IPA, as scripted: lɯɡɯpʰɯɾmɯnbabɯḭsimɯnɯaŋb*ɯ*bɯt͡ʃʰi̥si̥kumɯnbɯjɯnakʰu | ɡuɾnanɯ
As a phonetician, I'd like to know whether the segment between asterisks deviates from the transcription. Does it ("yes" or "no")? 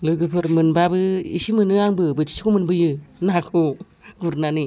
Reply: no